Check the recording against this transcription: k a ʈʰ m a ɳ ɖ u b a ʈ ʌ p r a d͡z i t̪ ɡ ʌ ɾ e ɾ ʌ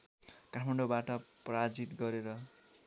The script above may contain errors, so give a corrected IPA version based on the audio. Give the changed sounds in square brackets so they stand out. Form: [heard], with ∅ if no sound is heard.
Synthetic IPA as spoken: k a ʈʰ m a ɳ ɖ [o] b a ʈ ʌ p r a d͡z i t̪ ɡ ʌ ɾ e ɾ ʌ